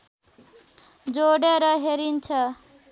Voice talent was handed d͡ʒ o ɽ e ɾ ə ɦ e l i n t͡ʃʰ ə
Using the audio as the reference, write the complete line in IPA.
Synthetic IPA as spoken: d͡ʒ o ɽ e ɾ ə ɦ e ɾ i n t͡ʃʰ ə